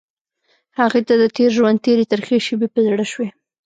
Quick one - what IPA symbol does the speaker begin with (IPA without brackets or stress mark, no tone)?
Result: h